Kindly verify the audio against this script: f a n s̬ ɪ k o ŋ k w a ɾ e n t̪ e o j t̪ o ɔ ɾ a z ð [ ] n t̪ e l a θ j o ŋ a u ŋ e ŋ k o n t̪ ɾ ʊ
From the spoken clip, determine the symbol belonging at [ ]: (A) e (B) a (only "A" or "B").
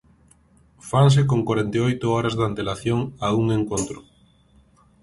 B